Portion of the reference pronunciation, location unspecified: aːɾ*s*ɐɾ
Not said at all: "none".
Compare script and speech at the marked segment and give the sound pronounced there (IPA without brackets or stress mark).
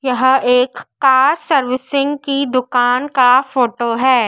s